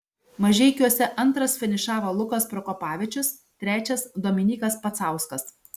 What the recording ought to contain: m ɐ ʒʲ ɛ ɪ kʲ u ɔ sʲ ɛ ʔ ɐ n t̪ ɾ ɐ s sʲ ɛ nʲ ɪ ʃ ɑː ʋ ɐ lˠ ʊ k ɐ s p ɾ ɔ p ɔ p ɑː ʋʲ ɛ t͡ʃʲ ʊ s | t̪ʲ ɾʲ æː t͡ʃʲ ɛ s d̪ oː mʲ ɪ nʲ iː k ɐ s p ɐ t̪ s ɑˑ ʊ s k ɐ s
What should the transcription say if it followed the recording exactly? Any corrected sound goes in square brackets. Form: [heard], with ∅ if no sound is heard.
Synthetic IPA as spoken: m ɐ ʒʲ ɛ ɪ kʲ u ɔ sʲ ɛ ʔ ɐ n t̪ ɾ ɐ s [fʲ] ɛ nʲ ɪ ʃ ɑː ʋ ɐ lˠ ʊ k ɐ s p ɾ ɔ [k] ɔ p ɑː ʋʲ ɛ t͡ʃʲ ʊ s | t̪ʲ ɾʲ æː t͡ʃʲ ɛ s d̪ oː mʲ ɪ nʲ iː k ɐ s p ɐ t̪ s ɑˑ ʊ s k ɐ s